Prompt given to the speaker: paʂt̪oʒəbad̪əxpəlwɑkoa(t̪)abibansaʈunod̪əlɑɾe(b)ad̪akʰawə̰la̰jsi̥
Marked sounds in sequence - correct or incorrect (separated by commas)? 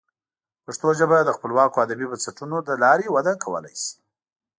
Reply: incorrect, incorrect